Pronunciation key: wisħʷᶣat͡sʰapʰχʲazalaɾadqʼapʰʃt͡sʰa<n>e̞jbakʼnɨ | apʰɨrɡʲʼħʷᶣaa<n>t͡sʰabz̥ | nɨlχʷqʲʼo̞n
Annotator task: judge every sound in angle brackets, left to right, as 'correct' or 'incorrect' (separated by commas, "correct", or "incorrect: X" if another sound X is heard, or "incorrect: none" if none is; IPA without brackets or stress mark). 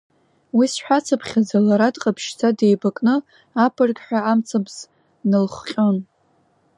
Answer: incorrect: d, incorrect: m